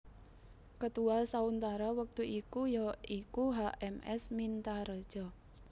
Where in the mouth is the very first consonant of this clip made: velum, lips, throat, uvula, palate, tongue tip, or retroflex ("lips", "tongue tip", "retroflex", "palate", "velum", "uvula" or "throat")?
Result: velum